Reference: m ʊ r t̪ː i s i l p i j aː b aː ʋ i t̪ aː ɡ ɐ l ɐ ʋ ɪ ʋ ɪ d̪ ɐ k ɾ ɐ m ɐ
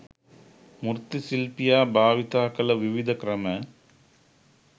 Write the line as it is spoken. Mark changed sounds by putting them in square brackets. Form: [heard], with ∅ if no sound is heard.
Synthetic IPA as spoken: m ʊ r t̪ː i s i l p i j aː b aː ʋ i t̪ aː [k] ɐ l ɐ ʋ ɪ ʋ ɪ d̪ ɐ k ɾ ɐ m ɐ

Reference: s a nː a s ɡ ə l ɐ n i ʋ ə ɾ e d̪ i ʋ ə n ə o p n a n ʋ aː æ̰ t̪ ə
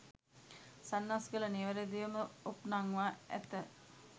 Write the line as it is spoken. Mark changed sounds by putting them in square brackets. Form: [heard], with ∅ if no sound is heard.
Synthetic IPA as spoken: s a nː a s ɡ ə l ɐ n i ʋ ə ɾ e d̪ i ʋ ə [m] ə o p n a [ŋ] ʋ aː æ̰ t̪ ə

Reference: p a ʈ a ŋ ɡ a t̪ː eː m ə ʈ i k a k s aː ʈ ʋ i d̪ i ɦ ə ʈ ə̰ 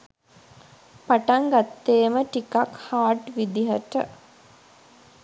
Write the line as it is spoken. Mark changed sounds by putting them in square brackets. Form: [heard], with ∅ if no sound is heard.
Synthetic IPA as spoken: p a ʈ a ŋ ɡ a t̪ː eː m ə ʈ i k a k [h] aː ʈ ʋ i d̪ i ɦ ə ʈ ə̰

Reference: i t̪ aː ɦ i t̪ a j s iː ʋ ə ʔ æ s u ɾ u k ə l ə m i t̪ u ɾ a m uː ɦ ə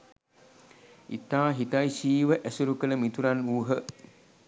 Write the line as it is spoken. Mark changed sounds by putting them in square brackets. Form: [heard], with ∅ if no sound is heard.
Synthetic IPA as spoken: i t̪ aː ɦ i t̪ a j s iː ʋ ə ʔ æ s u ɾ u k ə l ə m i t̪ u ɾ a [n] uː ɦ ə

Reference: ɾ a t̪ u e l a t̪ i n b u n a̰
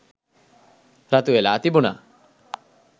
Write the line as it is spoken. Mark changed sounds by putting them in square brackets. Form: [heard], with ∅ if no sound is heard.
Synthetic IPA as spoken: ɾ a t̪ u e l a t̪ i [∅] b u n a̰

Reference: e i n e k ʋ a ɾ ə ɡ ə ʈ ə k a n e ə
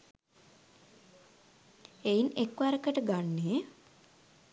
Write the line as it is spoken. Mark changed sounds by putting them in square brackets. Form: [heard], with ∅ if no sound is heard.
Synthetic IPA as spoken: e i n e k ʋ a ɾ ə [k] ə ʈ ə [ɡ] a [nː] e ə

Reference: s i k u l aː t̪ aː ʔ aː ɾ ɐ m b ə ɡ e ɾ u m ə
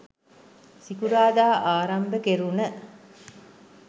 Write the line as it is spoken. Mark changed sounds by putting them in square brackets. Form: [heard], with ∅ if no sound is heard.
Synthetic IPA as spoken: s i k u [ɾ] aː [d̪] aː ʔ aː ɾ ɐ m b ə [k] e ɾ u [n] ə

